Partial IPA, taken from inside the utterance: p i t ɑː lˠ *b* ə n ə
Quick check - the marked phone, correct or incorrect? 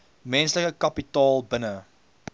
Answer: correct